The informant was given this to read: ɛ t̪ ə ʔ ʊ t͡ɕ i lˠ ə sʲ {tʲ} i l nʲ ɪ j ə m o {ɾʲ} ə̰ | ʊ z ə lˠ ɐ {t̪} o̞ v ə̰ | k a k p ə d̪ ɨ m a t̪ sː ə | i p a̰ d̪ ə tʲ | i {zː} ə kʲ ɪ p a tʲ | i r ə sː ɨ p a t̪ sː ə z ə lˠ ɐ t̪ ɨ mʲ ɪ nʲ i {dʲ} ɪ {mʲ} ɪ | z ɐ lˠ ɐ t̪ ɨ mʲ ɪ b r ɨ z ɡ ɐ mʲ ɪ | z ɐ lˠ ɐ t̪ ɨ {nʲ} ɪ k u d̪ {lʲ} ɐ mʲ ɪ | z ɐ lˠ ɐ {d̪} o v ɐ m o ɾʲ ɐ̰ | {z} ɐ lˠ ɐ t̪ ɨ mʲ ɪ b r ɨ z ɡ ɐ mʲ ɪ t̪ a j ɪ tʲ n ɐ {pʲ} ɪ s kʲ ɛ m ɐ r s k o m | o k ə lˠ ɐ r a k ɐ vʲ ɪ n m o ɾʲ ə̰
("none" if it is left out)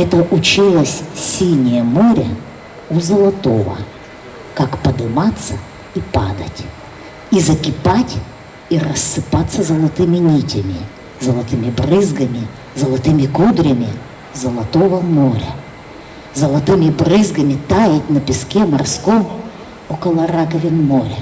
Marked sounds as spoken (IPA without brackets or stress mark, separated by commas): sʲ, ɾʲ, t̪, z, tʲ, mʲ, mʲ, ɾʲ, t̪, z, pʲ